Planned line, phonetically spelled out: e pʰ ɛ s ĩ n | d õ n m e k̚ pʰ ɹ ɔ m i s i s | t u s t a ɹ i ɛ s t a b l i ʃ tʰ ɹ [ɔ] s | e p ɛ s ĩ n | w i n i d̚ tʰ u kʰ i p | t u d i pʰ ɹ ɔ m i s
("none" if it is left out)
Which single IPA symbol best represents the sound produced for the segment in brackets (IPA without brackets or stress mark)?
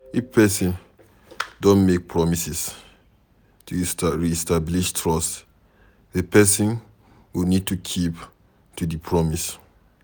ɔ